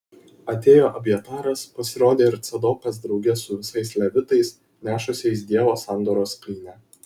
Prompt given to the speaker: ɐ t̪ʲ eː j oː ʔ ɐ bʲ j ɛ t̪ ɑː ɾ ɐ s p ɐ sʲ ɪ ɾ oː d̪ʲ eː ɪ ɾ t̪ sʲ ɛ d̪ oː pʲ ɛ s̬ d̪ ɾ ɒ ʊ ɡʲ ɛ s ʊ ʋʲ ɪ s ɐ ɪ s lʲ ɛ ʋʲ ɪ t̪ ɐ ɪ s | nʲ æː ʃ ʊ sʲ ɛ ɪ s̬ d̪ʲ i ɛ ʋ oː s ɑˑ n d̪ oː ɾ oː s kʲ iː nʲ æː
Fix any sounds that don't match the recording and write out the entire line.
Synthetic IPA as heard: ɐ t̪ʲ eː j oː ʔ ɐ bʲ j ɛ t̪ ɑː ɾ ɐ s p ɐ sʲ ɪ ɾ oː d̪ʲ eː ɪ ɾ t̪ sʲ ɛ d̪ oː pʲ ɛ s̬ d̪ ɾ ɒ ʊ ɡʲ ɛ s ʊ ʋʲ ɪ s ɐ ɪ s lʲ ɛ ʋʲ ɪ t̪ ɐ ɪ s | nʲ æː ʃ ʊ sʲ ɛ ɪ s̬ d̪ʲ i ɛ ʋ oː s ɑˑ n d̪ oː ɾ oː s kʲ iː nʲ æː